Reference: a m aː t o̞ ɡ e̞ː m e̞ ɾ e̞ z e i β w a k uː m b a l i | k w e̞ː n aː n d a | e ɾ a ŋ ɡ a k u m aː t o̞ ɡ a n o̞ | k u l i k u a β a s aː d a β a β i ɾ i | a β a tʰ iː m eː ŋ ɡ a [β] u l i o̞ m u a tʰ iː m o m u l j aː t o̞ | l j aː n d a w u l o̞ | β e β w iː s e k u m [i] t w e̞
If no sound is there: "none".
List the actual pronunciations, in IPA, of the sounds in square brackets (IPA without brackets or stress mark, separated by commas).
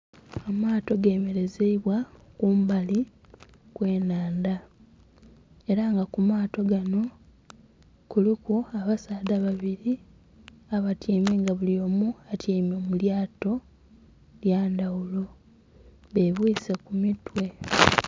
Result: β, i